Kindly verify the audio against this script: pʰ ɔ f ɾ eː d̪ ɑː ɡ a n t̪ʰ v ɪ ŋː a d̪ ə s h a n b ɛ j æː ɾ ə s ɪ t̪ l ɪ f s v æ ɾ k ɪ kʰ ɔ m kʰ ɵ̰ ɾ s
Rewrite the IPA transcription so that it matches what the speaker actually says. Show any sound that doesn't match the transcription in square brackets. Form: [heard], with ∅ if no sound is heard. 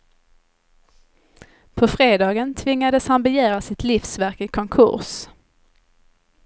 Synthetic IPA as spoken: pʰ ɔ f ɾ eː d̪ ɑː ɡ [ə] n t̪ʰ v ɪ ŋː a d̪ ə s h a n b ɛ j æː ɾ [a] s ɪ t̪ l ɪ f s v æ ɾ k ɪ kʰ ɔ [ŋ] kʰ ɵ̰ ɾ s